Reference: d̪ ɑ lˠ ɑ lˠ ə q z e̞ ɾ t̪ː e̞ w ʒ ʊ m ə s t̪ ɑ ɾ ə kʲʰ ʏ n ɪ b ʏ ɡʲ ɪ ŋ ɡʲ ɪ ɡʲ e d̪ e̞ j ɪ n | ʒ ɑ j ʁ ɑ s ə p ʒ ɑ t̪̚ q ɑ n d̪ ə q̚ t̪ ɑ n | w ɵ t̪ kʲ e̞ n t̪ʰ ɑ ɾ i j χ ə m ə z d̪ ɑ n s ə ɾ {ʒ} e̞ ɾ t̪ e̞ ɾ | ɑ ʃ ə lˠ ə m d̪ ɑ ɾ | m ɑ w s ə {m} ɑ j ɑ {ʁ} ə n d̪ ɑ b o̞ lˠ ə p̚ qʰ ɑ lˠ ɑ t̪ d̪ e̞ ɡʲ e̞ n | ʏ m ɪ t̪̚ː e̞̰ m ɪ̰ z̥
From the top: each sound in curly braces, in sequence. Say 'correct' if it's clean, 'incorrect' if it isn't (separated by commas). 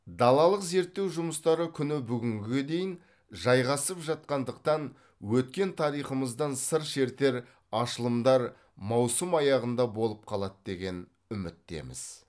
incorrect, correct, correct